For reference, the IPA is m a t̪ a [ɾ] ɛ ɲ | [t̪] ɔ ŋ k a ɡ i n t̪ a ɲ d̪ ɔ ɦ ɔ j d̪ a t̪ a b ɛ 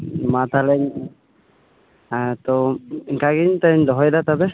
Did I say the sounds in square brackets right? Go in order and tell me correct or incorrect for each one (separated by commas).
incorrect, correct